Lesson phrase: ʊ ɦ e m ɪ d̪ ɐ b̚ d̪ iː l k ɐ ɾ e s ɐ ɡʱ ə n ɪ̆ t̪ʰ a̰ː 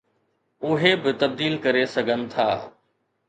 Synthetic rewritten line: ʊ ɦ e b ɪ t̪ ɐ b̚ d̪ iː l k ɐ ɾ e s ɐ ɡʱ ə n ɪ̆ t̪ʰ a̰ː